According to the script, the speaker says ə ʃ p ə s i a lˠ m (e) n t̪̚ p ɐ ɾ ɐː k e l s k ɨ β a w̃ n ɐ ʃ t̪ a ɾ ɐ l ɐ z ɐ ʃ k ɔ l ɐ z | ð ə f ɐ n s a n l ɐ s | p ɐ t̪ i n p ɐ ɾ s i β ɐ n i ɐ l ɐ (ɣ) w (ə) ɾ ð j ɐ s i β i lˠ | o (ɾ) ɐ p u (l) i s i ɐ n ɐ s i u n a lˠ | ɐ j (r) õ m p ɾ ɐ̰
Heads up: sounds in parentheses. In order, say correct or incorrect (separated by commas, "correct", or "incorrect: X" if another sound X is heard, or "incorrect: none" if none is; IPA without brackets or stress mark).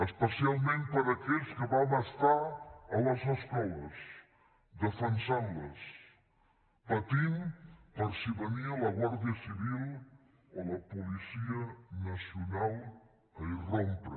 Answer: incorrect: ẽ, correct, incorrect: a, incorrect: l, correct, correct